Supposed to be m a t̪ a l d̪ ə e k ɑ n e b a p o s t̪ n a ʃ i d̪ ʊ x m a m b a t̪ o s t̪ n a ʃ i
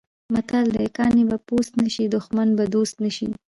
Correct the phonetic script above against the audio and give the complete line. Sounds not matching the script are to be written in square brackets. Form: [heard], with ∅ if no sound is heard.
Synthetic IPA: m a t̪ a l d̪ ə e k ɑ n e b a p o s t̪ n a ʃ i d̪ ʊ x m a [n] b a [d̪] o s t̪ n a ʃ i

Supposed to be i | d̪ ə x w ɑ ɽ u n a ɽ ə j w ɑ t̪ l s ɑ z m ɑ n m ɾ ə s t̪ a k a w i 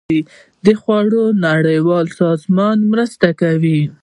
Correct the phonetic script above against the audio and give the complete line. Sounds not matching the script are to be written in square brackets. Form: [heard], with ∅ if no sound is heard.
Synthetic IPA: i | d̪ ə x w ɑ ɽ [o] n a ɽ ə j w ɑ [∅] l s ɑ z m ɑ n m ɾ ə s t̪ a k a w i

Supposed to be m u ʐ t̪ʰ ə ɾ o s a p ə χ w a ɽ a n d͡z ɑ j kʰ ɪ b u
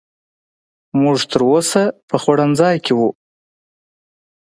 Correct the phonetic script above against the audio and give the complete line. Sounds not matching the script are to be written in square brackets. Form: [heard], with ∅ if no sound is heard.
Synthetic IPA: m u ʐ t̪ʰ ə ɾ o s a p ə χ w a ɽ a n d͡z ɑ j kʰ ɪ [w] u

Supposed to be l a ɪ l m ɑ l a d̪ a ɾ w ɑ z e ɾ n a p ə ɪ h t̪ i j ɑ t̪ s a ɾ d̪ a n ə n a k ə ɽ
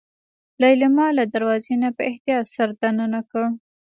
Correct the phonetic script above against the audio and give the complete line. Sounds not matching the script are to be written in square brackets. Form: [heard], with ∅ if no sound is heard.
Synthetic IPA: l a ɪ l m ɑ l a d̪ a ɾ w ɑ z e [∅] n a p ə ɪ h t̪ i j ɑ t̪ s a ɾ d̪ a n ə n a k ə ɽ

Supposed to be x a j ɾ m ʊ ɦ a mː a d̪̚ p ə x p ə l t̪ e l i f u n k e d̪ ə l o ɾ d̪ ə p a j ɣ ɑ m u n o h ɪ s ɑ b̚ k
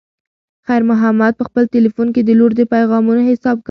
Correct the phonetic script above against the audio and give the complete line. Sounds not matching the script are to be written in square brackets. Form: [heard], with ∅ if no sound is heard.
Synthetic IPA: x a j ɾ m ʊ ɦ a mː a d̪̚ p ə x p ə l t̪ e l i f u n k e d̪ ə l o ɾ d̪ ə p a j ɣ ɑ m u n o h ɪ s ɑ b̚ k

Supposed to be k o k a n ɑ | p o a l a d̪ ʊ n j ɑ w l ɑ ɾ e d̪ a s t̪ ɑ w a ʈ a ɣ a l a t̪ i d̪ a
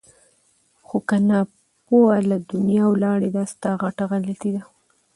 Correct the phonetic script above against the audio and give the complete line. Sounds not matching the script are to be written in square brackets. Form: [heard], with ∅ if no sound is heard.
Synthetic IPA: [x] o k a n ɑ | p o a l a d̪ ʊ n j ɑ w l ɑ [ɽ] e d̪ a s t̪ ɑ [ɣ] a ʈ a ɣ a l a t̪ i d̪ a

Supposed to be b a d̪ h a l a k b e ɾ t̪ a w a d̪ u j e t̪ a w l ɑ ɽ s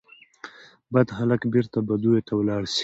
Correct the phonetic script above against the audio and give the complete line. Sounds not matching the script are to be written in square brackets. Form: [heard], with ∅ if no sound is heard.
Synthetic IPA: b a d̪ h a l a k b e ɾ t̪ a [b] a d̪ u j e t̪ a w l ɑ ɽ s

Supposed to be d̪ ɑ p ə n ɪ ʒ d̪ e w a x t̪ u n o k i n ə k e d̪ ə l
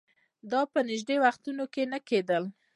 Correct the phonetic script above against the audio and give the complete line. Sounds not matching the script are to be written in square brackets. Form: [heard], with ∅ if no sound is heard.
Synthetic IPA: d̪ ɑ p ə n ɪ ʒ d̪ e w a x t̪ u n o k [e] n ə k e d̪ ə l

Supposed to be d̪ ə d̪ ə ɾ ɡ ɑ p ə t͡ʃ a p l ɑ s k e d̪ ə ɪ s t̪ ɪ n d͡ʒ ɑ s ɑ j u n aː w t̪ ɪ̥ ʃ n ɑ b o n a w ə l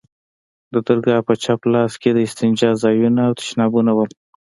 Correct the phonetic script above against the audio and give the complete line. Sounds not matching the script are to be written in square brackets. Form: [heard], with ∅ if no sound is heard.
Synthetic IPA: d̪ ə d̪ ə ɾ ɡ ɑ p ə t͡ʃ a p l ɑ s k e d̪ ə ɪ s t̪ ɪ n d͡ʒ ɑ [z] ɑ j u n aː w t̪ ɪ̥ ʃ n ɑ b [u] n a w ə l

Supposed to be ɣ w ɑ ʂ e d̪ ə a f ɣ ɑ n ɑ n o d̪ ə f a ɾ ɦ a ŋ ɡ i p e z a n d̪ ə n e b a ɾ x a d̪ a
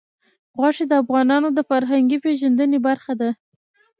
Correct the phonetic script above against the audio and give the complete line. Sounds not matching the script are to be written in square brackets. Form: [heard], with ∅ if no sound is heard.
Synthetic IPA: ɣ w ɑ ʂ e d̪ ə a f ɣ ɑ n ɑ n o d̪ ə f a ɾ ɦ a ŋ ɡ i p e [ʒ] a n d̪ ə n e b a ɾ x a d̪ a

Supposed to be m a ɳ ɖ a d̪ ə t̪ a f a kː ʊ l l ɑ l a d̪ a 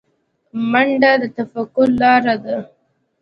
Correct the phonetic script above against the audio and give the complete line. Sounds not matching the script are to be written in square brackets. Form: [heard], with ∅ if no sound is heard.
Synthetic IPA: m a ɳ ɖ a d̪ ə t̪ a f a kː ʊ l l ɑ [ɾ] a d̪ a

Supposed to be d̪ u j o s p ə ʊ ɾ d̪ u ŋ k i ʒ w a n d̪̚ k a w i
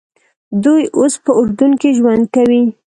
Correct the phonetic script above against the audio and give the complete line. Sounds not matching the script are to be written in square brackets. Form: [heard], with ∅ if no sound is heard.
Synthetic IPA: d̪ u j o s p ə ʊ ɾ d̪ u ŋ k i ʒ w a n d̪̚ k a w i

